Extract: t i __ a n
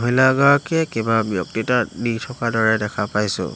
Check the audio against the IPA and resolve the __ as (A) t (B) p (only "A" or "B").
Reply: A